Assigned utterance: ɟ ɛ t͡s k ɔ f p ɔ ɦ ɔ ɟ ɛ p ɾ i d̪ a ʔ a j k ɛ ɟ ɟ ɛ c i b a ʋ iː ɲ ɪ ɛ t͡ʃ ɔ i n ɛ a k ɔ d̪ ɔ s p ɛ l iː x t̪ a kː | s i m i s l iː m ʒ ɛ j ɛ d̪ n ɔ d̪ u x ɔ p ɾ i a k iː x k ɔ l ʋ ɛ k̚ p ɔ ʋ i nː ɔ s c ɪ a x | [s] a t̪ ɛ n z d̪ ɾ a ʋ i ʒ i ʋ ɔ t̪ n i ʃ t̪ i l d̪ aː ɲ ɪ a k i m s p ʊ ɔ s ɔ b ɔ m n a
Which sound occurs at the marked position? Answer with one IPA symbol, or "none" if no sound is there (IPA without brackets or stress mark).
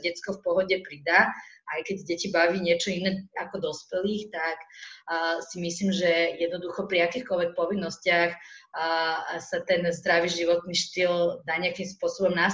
s